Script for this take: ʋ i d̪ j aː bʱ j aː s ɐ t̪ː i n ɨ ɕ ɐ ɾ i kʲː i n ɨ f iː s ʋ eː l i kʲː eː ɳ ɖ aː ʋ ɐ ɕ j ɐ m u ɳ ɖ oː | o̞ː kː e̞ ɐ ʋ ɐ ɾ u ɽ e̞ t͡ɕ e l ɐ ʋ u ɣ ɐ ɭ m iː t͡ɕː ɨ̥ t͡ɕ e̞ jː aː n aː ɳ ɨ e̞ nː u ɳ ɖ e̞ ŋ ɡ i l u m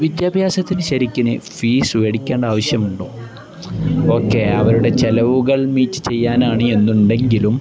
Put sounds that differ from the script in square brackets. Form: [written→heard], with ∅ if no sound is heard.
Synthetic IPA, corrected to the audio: ʋ i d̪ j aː bʱ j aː s ɐ t̪ː i n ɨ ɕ ɐ ɾ i kʲː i n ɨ f iː s ʋ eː [l→ɽ] i kʲː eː ɳ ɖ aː ʋ ɐ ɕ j ɐ m u ɳ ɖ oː | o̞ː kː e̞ ɐ ʋ ɐ ɾ u ɽ e̞ t͡ɕ e l ɐ ʋ u ɣ ɐ ɭ m iː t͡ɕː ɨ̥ t͡ɕ e̞ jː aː n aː ɳ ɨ e̞ nː u ɳ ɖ e̞ ŋ ɡ i l u m